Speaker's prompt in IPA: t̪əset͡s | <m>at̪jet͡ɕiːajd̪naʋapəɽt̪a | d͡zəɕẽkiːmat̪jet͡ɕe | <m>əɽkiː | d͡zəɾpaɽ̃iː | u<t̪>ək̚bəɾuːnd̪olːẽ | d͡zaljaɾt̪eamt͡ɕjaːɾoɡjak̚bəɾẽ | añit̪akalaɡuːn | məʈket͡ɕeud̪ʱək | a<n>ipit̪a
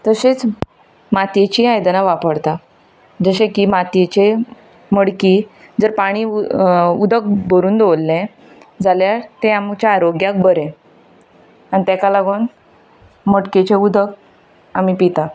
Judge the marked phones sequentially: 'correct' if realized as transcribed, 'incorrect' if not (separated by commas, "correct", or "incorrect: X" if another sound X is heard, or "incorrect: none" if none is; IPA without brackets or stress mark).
correct, correct, incorrect: d̪, incorrect: m